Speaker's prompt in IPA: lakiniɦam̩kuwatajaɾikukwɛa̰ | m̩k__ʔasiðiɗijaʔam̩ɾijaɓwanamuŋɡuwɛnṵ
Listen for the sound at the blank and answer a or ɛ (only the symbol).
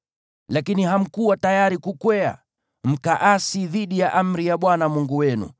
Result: a